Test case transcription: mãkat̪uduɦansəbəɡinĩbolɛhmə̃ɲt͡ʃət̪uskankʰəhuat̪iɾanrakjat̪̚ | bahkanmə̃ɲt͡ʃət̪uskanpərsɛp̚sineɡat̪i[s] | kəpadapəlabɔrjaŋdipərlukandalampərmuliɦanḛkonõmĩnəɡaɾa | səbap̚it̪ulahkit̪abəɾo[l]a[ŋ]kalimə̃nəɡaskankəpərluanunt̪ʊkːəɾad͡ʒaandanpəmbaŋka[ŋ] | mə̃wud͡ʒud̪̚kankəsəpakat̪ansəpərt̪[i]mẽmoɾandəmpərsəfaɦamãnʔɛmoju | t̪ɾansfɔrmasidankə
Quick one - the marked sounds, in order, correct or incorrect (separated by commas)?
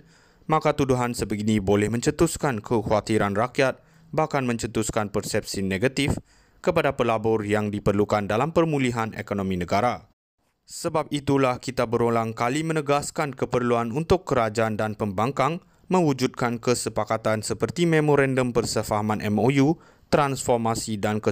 incorrect, correct, correct, correct, correct